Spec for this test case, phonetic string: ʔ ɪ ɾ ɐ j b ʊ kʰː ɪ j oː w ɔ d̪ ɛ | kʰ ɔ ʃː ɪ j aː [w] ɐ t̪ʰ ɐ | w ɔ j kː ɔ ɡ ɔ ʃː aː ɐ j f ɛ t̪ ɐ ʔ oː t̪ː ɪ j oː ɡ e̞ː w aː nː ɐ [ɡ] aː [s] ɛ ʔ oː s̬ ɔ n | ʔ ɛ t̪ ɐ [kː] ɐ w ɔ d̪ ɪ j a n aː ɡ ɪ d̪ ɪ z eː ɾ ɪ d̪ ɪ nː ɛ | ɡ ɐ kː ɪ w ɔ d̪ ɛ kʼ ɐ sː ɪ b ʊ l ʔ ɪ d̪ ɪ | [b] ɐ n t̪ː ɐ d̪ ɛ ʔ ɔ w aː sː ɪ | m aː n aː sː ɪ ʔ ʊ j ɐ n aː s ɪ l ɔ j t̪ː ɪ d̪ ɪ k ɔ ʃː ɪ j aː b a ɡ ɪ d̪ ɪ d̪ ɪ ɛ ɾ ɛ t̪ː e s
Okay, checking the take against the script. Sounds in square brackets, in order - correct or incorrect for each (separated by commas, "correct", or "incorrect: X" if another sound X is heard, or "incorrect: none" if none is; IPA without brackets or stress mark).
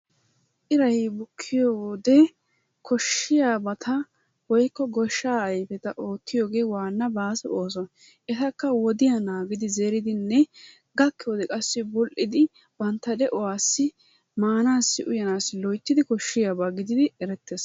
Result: incorrect: b, incorrect: b, correct, correct, correct